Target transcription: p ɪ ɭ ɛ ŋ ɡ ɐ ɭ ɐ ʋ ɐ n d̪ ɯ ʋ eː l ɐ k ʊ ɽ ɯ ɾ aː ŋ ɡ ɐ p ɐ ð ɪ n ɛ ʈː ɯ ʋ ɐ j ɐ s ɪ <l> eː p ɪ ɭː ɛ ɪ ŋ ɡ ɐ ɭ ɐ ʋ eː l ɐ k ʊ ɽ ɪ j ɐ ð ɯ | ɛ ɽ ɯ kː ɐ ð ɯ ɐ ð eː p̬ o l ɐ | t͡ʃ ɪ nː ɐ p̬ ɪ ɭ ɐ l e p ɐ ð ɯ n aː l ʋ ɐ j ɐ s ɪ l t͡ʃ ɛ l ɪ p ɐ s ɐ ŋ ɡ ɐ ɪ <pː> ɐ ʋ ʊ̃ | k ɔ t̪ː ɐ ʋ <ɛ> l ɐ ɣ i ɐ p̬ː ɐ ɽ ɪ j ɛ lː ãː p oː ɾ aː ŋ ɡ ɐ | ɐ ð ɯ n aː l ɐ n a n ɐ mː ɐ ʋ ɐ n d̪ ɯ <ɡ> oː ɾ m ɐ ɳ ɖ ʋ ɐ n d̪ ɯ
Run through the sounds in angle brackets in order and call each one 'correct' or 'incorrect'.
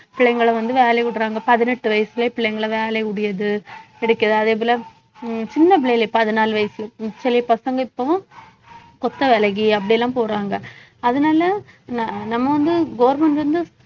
correct, correct, correct, correct

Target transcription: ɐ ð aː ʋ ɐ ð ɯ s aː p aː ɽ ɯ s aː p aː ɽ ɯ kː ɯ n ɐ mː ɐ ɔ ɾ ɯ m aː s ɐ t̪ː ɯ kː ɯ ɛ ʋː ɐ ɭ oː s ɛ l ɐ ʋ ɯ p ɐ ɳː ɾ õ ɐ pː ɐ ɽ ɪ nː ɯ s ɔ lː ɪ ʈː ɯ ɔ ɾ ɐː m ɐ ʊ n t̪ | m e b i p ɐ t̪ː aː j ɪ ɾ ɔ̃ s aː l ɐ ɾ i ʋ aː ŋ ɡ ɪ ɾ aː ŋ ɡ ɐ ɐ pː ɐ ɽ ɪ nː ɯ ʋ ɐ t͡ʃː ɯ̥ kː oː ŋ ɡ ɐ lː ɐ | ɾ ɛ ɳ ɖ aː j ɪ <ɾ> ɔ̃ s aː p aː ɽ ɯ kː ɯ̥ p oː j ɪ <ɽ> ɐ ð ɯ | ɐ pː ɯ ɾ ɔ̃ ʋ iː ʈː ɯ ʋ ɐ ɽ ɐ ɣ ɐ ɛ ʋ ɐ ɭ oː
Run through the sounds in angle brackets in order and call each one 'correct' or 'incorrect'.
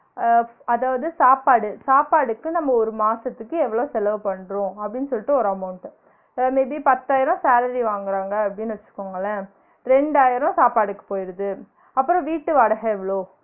correct, incorrect

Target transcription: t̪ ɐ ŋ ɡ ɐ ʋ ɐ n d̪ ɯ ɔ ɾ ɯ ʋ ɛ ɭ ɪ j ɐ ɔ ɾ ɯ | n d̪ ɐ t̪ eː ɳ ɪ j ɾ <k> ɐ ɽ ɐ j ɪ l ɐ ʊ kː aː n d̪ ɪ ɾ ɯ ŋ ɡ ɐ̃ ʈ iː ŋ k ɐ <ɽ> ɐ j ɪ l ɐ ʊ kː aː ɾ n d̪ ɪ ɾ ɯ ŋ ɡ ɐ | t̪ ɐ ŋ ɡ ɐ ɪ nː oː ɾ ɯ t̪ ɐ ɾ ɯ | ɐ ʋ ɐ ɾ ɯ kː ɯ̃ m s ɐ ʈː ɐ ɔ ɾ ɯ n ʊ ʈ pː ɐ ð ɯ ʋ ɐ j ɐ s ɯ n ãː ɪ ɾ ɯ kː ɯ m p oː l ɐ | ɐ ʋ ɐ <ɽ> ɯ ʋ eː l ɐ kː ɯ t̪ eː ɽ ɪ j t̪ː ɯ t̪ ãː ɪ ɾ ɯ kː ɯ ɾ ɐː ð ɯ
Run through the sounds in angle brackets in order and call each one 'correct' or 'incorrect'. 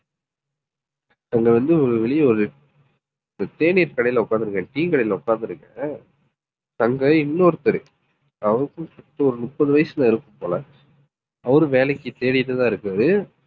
correct, correct, incorrect

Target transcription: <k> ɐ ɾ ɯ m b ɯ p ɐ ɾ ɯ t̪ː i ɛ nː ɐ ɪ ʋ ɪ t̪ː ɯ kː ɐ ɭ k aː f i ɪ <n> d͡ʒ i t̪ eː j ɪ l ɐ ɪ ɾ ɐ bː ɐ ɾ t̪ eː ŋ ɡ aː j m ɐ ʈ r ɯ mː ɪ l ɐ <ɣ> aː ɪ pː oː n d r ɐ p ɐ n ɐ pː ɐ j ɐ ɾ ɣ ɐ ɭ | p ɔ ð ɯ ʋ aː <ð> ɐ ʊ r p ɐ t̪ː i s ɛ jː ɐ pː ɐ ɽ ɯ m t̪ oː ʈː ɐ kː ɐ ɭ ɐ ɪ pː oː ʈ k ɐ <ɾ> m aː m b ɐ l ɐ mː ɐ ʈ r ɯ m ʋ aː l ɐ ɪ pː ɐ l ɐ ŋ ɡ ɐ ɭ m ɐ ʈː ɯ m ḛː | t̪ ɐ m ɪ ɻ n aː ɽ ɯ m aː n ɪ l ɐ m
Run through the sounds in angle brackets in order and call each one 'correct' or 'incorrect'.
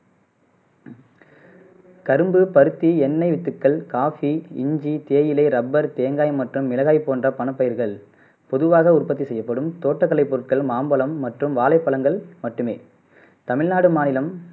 correct, incorrect, correct, incorrect, incorrect

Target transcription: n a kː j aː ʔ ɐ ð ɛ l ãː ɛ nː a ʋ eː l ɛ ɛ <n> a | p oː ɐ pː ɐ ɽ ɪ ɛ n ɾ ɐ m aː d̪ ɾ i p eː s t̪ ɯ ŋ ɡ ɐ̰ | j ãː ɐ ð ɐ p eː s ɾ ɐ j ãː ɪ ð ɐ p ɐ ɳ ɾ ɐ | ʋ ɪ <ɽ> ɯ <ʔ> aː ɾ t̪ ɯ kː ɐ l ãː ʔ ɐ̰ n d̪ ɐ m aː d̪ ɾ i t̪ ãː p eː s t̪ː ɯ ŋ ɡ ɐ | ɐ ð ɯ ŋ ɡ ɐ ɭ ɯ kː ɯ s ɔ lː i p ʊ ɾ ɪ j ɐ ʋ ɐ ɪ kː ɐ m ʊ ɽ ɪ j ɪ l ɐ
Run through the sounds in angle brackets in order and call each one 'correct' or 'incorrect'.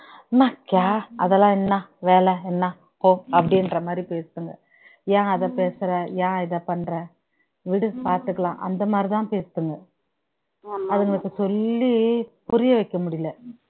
incorrect, correct, incorrect

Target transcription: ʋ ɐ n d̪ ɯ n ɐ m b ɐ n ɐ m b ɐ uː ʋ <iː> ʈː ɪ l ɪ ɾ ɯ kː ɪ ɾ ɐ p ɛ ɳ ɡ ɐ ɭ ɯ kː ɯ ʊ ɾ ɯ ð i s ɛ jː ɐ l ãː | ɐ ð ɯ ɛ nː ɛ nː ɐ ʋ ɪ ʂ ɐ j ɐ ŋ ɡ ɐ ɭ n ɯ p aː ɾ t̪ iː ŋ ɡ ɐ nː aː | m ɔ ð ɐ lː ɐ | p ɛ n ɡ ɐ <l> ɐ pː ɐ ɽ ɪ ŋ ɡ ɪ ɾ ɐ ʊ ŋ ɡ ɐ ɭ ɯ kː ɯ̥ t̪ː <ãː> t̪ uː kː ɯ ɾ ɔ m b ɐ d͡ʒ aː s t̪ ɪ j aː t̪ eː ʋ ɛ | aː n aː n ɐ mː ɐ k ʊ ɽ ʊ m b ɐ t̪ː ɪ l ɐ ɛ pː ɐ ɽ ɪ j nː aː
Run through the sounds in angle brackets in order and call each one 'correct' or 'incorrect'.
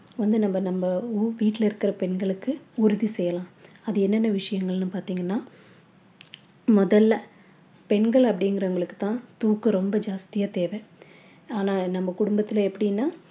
correct, incorrect, correct

